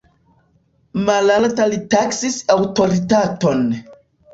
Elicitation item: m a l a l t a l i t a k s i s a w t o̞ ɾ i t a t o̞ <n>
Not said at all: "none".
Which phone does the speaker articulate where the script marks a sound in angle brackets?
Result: n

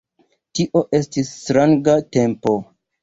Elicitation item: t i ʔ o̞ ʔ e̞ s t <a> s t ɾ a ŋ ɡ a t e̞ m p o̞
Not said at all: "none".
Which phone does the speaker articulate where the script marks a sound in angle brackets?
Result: i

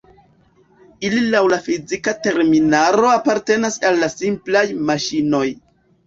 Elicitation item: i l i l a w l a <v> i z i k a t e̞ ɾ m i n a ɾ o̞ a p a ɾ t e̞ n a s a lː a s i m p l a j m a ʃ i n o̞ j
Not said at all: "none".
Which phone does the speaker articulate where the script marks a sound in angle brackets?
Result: f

